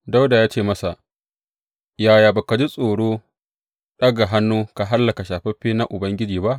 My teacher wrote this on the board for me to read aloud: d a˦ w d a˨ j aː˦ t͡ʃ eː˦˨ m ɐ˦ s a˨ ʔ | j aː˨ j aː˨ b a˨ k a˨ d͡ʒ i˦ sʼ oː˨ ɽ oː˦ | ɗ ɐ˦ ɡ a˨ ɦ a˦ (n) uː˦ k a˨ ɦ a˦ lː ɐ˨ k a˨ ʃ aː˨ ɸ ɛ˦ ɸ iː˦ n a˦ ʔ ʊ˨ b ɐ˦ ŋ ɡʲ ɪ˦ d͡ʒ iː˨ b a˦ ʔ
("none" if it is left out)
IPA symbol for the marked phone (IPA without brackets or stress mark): nː